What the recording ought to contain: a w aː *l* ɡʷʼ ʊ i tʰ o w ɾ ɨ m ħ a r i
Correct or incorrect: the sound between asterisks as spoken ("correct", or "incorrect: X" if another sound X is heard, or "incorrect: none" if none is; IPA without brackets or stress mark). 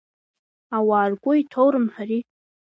incorrect: r